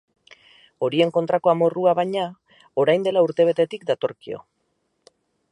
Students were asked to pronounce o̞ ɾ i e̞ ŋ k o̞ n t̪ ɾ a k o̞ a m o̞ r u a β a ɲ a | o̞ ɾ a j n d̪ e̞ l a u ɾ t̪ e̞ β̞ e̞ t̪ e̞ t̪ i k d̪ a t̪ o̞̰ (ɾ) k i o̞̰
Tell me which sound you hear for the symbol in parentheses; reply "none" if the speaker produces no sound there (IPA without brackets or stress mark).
ɾ